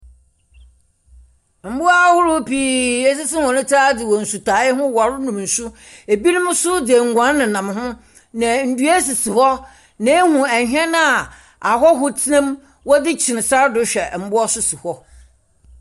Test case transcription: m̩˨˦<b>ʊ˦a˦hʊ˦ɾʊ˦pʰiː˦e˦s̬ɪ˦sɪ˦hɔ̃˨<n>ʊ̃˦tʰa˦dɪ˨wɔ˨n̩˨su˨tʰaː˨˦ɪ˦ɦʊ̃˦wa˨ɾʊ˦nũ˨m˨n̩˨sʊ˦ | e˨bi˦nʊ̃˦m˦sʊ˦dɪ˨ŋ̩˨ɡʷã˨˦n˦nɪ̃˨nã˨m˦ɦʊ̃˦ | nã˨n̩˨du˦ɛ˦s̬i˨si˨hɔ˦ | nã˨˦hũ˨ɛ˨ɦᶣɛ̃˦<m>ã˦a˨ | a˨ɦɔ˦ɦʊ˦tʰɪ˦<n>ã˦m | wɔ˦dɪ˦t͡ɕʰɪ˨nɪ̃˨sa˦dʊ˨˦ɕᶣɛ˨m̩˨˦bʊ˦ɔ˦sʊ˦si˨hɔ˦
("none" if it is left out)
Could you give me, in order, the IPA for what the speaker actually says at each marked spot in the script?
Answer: b, n, n, n

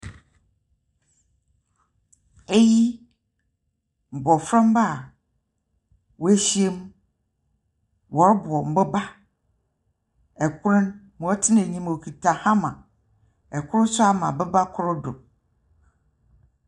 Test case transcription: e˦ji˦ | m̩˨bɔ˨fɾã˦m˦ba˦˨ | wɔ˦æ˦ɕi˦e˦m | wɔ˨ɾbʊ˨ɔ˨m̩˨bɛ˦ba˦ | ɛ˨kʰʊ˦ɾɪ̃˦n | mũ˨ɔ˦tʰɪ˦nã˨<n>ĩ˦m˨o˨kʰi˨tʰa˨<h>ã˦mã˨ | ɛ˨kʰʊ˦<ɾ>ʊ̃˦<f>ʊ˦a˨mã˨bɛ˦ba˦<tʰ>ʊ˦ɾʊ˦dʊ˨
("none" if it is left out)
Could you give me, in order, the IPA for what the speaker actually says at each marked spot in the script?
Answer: ɲ, h, ɾ, s, kʰ

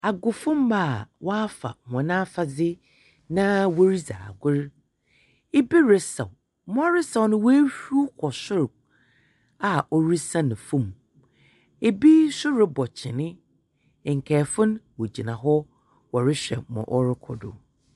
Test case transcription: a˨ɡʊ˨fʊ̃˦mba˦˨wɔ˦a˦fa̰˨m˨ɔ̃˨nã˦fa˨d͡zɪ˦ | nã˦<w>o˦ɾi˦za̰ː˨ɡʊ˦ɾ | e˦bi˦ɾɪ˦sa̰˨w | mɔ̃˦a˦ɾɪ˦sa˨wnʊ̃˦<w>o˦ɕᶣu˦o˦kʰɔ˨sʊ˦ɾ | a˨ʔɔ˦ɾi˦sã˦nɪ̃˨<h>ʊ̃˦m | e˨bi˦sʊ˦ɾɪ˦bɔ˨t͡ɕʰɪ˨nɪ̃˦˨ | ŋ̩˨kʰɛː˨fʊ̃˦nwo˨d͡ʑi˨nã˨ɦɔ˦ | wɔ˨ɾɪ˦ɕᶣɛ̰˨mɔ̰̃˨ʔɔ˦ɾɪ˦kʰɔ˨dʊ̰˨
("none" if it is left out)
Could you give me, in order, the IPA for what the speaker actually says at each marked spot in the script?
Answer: w, w, f

